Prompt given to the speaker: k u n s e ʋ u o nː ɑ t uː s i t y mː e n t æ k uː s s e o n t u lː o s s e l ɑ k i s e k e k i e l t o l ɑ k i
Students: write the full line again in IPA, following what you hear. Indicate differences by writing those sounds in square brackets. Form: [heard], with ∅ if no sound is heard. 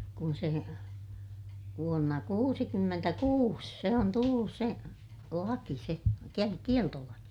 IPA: k u n s e ʋ u o nː ɑ [k] uː s i [k] y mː e n t æ k uː s s e o n t u lː [u] s s e l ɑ k i s e k e k i e l t o l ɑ k i